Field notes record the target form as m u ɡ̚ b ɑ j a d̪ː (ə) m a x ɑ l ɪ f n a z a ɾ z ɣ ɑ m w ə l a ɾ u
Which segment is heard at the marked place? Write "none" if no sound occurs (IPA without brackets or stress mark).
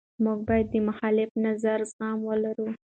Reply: ə